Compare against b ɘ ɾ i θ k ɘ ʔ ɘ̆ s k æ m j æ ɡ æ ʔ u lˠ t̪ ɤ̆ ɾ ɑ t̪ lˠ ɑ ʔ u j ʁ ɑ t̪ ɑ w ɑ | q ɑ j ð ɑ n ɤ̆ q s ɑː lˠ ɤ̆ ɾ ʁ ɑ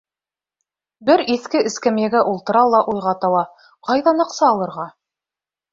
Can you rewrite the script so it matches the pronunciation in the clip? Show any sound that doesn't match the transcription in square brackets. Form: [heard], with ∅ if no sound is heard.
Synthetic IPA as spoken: b ɘ ɾ i θ k ɘ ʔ ɘ̆ s k æ m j æ ɡ æ ʔ u lˠ t̪ ɤ̆ ɾ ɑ [∅] lˠ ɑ ʔ u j ʁ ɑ t̪ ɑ w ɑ | q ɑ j ð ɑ n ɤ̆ q s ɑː lˠ ɤ̆ ɾ ʁ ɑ